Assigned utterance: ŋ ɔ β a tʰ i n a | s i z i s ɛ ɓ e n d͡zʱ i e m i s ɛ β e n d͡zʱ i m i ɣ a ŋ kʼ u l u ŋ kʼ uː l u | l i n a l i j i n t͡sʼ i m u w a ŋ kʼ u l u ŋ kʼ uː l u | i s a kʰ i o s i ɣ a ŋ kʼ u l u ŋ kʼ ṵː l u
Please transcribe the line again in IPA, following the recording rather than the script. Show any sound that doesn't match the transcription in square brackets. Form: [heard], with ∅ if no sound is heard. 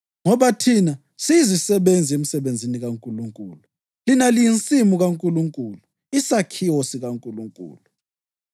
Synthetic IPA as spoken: ŋ ɔ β a tʰ i n a | s i z i s ɛ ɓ e n d͡zʱ i e m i s ɛ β e n d͡zʱ i [n] i ɣ a ŋ kʼ u l u ŋ kʼ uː l u | l i n a l i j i n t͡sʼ i m u [ɣ] a ŋ kʼ u l u ŋ kʼ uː l u | i s a kʰ i o s i ɣ a ŋ kʼ u l u ŋ kʼ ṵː l u